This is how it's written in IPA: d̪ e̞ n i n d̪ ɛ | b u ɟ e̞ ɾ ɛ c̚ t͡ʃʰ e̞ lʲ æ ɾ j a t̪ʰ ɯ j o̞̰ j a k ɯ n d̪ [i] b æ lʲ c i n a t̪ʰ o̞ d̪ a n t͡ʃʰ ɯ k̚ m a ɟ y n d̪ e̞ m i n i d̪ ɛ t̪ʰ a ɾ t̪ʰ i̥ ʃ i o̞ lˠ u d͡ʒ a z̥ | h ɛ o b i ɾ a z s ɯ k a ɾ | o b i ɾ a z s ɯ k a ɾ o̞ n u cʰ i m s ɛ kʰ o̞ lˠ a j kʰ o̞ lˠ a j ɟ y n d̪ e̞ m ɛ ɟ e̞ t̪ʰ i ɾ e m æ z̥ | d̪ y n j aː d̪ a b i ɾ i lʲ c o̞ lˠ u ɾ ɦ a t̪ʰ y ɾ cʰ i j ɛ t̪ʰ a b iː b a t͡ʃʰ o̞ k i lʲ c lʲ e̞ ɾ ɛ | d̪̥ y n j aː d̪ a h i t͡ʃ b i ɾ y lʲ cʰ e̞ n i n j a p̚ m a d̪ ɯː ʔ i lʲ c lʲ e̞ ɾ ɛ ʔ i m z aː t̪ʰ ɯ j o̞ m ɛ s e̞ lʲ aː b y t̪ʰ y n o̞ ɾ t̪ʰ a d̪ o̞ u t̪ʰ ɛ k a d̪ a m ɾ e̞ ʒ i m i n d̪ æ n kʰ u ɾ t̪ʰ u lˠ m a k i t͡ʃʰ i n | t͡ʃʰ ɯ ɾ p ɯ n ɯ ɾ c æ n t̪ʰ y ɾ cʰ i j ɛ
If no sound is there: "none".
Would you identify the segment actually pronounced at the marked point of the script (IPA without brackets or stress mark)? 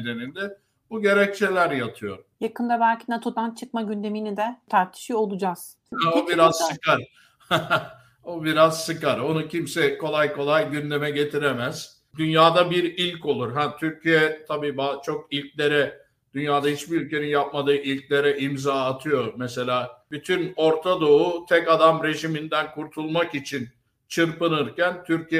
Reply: a